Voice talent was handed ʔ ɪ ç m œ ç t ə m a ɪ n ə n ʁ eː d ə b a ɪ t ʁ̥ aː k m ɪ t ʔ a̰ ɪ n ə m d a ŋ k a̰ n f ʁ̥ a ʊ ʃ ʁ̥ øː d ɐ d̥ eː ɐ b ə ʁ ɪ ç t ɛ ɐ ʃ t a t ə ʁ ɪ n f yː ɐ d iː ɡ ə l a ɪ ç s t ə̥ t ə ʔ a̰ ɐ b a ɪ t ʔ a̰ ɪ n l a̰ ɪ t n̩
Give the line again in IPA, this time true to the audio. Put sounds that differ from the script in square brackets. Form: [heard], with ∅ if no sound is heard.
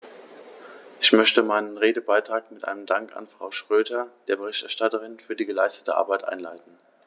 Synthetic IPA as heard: ʔ ɪ ç m œ ç t ə m a ɪ n ə n ʁ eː d ə b a ɪ t ʁ̥ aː k m ɪ t ʔ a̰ ɪ n ə m d a ŋ k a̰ n f ʁ̥ a ʊ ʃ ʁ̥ øː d ɐ d̥ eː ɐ b ə ʁ ɪ ç t ɛ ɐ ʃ t a t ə ʁ ɪ n f yː ɐ d iː ɡ ə l a ɪ [∅] s t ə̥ t ə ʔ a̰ ɐ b a ɪ t ʔ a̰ ɪ n l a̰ ɪ t n̩